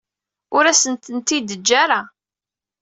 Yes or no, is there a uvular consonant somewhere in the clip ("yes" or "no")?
no